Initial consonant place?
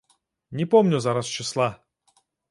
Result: alveolar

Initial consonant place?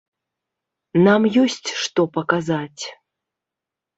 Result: alveolar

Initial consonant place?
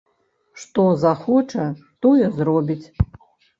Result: retroflex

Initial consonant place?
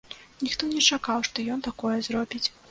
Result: alveolar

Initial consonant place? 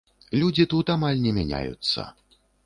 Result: alveolar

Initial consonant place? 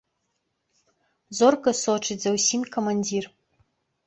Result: alveolar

